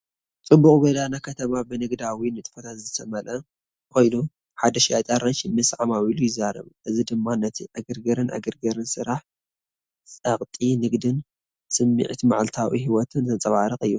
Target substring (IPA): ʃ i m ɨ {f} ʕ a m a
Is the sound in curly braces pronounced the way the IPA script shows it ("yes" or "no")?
no